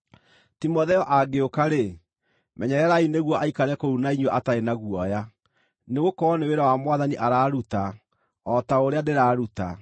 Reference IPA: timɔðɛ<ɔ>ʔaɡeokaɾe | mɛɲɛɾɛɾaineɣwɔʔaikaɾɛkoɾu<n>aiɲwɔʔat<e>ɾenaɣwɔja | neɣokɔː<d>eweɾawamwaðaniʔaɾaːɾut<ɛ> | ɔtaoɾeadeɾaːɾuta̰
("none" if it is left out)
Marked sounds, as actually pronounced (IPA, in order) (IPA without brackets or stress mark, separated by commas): ɔ, n, a, n, a